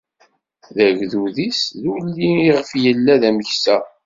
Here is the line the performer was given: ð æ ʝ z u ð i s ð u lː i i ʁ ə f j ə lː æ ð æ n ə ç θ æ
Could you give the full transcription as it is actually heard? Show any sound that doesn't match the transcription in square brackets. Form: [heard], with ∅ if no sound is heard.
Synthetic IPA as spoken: ð æ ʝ [ð] u ð i s ð u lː i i ʁ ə f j ə lː æ ð æ [m] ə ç [s] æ